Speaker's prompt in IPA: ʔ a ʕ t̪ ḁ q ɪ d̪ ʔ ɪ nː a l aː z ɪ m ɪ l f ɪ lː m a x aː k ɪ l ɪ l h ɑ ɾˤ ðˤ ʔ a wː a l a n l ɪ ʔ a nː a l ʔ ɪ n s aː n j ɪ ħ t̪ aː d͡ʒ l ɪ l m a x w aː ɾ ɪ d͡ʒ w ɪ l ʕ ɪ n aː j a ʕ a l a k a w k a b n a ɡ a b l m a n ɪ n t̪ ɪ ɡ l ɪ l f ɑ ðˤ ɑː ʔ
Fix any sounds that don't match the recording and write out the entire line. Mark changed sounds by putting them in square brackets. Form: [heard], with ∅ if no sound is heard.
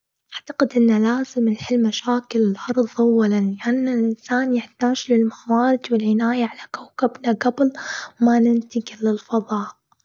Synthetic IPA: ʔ a ʕ t̪ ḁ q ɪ d̪ ʔ ɪ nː a l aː z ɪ m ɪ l [ħ] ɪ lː m a [ʃ] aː k ɪ l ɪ l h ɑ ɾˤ ðˤ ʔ a wː a l a n l ɪ ʔ a nː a l ʔ ɪ n s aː n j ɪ ħ t̪ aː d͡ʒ l ɪ l m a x w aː ɾ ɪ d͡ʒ w ɪ l ʕ ɪ n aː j a ʕ a l a k a w k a b n a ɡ a b l m a n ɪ n t̪ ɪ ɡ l ɪ l f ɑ ðˤ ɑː ʔ

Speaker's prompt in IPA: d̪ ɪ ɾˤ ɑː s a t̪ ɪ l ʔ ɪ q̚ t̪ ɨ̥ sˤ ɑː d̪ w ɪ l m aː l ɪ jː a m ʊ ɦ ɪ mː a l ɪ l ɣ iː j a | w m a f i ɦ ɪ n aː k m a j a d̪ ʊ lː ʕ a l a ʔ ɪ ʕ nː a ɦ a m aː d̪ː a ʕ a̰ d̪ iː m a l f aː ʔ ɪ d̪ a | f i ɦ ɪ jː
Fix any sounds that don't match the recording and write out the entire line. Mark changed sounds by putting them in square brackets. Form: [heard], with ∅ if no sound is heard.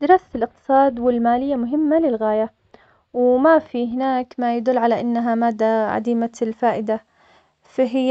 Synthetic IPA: d̪ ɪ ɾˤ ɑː s a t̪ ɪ l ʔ ɪ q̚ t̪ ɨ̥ sˤ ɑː d̪ w ɪ l m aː l ɪ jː a m ʊ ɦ ɪ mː a l ɪ l ɣ [aː] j a | w m a f i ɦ ɪ n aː k m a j a d̪ ʊ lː ʕ a l a ʔ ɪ [∅] nː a ɦ a m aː d̪ː a ʕ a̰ d̪ iː m a l f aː ʔ ɪ d̪ a | f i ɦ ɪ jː

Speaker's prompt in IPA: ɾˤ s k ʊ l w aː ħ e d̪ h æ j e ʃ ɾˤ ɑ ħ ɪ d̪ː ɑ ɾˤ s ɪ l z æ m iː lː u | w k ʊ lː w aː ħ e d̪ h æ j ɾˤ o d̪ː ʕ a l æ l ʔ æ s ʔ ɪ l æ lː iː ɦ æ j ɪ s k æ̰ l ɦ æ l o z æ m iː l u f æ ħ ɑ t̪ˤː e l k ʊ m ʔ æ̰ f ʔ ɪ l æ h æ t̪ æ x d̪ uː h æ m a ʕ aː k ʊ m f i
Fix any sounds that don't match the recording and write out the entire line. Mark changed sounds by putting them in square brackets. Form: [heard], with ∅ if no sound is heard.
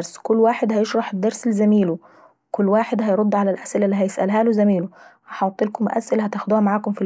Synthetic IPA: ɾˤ s k ʊ [lː] w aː ħ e d̪ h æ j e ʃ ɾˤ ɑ ħ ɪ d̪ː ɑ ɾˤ s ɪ l z æ m iː [l] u | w k ʊ lː w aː ħ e d̪ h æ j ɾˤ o d̪ː ʕ a l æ l ʔ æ s ʔ ɪ l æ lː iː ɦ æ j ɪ s [ʔ] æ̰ l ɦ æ l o z æ m iː l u [h] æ ħ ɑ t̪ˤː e l k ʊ m ʔ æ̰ [s] ʔ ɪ l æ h æ t̪ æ x d̪ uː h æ m a ʕ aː k ʊ m f i

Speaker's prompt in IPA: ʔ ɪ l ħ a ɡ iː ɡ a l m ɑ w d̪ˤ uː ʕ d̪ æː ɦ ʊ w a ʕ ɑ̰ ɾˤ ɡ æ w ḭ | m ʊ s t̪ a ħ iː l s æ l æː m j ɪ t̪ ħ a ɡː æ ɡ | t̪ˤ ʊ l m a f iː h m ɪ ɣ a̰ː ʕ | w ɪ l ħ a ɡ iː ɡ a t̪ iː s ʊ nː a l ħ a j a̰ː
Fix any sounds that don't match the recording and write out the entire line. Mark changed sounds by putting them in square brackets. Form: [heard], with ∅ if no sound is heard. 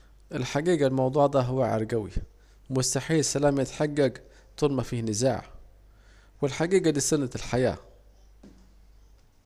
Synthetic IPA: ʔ ɪ l ħ a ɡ iː ɡ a l m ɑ w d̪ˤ uː ʕ d̪ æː ɦ ʊ w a ʕ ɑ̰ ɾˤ ɡ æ w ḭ | m ʊ s t̪ a ħ iː l s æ l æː m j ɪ t̪ ħ a ɡː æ ɡ | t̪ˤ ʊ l m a f iː h [n] ɪ [z] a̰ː ʕ | w ɪ l ħ a ɡ iː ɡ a [d̪] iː s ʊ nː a l ħ a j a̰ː

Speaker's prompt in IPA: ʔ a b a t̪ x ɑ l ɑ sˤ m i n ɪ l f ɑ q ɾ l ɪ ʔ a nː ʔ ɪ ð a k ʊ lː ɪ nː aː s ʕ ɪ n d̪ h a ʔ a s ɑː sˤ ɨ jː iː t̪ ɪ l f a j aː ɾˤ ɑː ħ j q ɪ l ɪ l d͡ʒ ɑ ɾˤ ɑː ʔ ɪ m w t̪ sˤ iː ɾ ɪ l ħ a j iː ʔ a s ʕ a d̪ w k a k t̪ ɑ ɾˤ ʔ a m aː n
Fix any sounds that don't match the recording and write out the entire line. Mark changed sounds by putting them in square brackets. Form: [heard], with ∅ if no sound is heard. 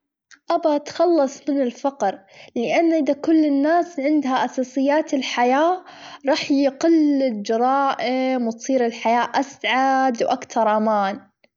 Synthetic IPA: ʔ a b a t̪ x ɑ [lː] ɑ sˤ m [ɪ] n ɪ l f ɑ q ɾ l ɪ ʔ a nː ʔ ɪ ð a k ʊ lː ɪ nː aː s ʕ ɪ n d̪ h a ʔ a s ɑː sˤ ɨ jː [aː] t̪ ɪ l [ħ] a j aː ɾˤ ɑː ħ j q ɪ l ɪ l d͡ʒ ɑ ɾˤ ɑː ʔ ɪ m w t̪ sˤ iː ɾ ɪ l ħ a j [aː] ʔ a s ʕ a d̪ w [ʔ] a k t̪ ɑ ɾˤ ʔ a m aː n

